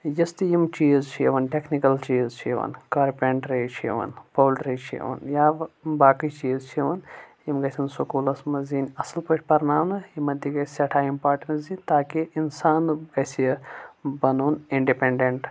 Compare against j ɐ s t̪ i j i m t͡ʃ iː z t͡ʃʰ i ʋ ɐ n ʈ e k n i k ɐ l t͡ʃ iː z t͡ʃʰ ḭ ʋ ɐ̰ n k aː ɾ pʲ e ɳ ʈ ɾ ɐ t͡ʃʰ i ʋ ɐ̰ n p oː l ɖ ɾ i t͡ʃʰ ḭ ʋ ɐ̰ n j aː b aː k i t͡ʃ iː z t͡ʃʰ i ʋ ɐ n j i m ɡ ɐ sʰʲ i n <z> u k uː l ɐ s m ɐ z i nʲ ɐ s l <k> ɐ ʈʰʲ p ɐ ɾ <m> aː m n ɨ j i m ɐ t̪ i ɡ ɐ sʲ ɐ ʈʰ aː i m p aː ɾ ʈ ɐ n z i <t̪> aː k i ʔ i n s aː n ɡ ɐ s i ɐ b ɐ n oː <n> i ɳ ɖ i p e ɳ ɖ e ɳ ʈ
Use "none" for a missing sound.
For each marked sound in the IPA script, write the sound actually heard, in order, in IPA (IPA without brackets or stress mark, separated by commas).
s, p, n, t̪, n